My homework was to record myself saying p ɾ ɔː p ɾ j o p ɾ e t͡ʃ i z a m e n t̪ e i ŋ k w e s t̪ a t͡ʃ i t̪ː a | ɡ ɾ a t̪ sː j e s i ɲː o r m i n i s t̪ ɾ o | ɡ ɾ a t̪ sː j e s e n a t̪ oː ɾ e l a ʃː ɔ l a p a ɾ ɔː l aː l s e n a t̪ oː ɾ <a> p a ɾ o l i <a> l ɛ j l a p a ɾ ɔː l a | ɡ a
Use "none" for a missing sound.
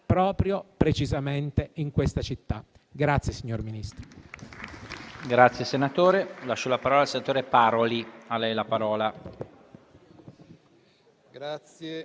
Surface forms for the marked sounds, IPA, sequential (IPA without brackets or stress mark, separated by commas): e, a